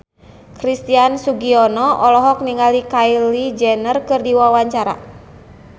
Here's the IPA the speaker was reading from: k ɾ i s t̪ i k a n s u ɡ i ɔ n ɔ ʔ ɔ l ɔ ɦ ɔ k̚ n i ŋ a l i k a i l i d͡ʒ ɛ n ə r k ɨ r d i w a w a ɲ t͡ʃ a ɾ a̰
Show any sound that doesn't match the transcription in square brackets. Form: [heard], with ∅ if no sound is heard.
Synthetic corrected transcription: k ɾ i s t̪ i [∅] a n s u ɡ i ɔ n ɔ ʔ ɔ l ɔ ɦ ɔ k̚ n i ŋ a l i k a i l i d͡ʒ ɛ n ə r k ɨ r d i w a w a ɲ t͡ʃ a ɾ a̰